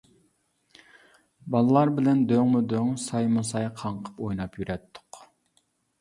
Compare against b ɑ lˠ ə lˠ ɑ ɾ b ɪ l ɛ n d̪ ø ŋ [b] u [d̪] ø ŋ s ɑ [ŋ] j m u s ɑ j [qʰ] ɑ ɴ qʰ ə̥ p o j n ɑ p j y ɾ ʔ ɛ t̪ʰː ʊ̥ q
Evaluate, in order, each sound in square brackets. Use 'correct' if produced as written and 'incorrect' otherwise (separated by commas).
incorrect, correct, incorrect, correct